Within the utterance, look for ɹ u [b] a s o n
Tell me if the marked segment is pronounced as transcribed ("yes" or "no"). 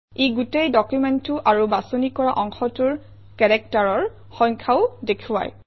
yes